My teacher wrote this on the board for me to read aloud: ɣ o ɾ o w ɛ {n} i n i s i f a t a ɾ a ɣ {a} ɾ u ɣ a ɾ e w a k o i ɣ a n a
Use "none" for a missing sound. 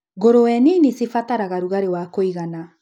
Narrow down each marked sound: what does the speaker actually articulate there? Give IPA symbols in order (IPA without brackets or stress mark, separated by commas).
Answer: n, a